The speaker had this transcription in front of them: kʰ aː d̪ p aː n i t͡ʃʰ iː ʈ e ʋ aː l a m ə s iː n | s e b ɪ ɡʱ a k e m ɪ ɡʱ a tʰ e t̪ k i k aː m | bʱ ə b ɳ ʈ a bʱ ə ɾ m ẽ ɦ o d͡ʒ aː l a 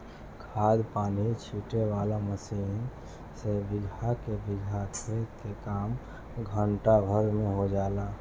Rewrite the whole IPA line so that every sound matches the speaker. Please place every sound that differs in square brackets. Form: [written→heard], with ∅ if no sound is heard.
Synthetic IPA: kʰ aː d̪ p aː n i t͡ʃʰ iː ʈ e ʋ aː l a m ə s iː n | s e b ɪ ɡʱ a k e [m→b] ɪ ɡʱ a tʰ e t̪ k [i→e] k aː m | [bʱ→ɡʱ] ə [b→∅] ɳ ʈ a bʱ ə ɾ m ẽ ɦ o d͡ʒ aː l a